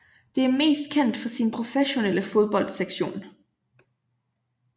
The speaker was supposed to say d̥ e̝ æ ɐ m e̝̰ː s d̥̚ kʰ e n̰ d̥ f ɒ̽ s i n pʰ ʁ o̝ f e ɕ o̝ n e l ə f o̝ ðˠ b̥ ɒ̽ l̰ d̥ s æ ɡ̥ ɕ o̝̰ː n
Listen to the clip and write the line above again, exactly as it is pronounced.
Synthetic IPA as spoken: d̥ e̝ æ ɐ m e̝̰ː s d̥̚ kʰ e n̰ d̥ f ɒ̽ s i n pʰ ʁ o̝ f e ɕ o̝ n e l ə f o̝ ðˠ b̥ ɒ̽ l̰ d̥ s e ɡ̥ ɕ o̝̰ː n